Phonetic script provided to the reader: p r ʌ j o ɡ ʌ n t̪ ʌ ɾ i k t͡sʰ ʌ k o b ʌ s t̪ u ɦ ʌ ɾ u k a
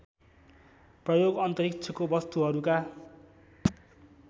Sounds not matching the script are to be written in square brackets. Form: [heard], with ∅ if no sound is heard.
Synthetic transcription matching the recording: p r ʌ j o ɡ ʌ n t̪ ʌ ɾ i k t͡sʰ ʌ k o b ʌ s t̪ u ɦ ʌ ɾ u k a